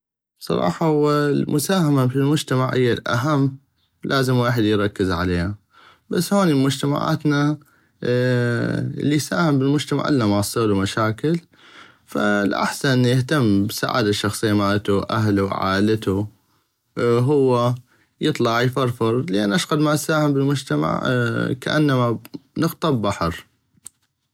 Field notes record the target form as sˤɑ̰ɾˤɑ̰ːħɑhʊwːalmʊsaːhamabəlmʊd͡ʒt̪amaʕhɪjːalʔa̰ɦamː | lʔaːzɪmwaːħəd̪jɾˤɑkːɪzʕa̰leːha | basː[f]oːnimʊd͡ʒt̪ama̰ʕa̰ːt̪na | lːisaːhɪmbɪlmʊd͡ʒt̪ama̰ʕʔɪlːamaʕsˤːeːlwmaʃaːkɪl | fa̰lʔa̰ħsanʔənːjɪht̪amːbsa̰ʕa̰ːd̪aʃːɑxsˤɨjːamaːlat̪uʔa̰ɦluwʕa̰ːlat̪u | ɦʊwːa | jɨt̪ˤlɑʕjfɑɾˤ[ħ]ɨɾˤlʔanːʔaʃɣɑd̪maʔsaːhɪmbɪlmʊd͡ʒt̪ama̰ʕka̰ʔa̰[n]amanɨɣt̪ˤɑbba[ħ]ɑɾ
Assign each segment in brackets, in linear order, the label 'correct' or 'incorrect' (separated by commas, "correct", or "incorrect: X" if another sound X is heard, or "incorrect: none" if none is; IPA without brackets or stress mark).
incorrect: h, incorrect: f, incorrect: nː, correct